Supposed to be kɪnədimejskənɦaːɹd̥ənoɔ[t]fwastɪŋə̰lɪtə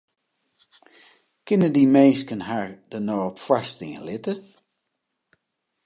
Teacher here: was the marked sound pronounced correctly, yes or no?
no